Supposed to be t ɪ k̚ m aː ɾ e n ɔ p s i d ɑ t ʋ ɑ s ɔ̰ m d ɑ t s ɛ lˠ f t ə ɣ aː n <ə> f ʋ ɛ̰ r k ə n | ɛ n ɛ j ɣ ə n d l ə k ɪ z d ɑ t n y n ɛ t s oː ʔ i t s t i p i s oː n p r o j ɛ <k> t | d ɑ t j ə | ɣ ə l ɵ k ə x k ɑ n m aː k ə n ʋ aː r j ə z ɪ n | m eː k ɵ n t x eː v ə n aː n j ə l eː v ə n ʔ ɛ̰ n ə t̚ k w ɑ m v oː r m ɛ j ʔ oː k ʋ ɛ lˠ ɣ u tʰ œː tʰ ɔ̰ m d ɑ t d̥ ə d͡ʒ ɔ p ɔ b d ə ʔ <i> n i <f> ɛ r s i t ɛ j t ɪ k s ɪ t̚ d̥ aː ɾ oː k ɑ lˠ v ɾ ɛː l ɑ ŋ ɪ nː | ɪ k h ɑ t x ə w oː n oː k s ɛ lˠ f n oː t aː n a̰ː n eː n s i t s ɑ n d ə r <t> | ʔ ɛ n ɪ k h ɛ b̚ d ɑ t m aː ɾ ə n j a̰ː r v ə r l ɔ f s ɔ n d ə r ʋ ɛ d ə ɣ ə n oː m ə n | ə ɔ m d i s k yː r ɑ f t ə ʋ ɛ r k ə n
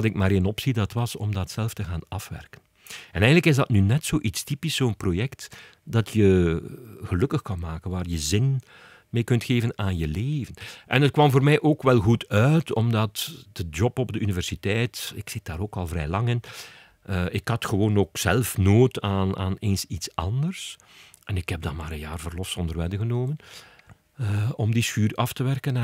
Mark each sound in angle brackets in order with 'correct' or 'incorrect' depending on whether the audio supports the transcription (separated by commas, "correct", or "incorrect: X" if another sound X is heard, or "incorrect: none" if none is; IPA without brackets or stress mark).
incorrect: ɑ, correct, incorrect: y, incorrect: v, incorrect: s